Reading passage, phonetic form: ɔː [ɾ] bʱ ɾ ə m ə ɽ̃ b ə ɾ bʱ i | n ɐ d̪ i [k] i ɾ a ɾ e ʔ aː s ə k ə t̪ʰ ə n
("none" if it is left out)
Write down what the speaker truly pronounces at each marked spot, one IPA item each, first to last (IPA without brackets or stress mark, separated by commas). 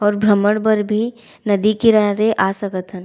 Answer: ɾ, k